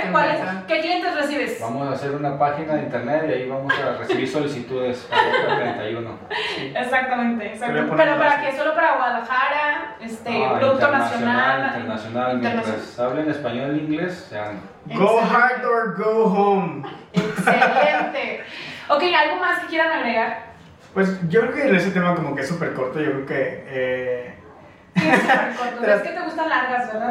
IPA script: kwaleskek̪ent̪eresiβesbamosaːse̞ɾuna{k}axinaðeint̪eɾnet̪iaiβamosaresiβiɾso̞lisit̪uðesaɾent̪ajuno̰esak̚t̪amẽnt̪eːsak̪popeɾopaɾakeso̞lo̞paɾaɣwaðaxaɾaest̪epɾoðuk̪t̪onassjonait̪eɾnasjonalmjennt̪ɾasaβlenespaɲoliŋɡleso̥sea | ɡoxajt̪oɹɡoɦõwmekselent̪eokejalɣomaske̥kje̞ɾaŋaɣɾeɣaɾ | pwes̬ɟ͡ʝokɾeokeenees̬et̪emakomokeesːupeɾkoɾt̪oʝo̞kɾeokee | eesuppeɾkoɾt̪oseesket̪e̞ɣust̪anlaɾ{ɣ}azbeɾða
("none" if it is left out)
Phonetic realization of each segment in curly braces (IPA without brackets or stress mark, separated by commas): p, ɣ